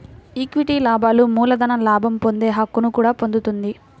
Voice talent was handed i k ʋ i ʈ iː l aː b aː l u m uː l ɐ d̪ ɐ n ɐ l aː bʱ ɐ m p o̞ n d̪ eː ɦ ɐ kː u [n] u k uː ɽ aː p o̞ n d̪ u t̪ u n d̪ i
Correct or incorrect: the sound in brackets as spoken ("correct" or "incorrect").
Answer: correct